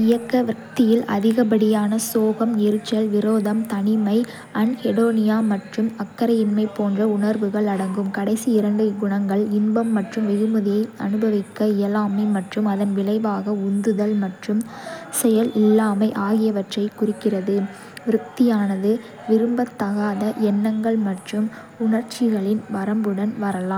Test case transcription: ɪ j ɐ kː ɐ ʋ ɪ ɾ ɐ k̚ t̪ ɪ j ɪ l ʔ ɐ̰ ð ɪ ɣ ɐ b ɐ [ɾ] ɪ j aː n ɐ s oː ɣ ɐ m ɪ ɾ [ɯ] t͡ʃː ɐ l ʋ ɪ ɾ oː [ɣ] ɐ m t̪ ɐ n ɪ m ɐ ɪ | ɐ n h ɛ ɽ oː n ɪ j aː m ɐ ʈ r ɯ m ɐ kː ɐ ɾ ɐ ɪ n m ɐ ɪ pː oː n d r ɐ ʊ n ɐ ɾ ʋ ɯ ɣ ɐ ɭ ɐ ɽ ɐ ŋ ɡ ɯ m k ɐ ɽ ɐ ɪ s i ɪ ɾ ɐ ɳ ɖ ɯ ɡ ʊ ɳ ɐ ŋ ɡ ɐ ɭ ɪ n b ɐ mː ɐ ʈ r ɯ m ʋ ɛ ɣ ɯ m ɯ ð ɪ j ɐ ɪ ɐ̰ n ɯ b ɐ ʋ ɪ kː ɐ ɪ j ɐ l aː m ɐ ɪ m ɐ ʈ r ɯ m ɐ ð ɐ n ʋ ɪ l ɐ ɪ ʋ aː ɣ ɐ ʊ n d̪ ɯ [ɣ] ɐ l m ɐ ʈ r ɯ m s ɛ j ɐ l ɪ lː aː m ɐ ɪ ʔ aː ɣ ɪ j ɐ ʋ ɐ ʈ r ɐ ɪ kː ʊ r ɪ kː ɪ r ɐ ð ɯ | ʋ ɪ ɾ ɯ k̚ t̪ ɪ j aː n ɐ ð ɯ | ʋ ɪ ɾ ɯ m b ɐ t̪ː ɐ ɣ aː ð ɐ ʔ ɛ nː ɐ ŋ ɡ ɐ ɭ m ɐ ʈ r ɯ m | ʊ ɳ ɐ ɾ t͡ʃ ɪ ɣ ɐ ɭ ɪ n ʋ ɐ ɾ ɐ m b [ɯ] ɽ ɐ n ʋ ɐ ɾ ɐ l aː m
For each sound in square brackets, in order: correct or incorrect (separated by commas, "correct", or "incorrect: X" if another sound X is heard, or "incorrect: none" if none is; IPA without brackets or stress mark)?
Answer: incorrect: ɽ, correct, incorrect: ð, incorrect: ð, correct